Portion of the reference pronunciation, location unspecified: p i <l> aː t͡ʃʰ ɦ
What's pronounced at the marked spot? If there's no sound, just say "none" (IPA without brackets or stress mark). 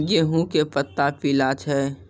l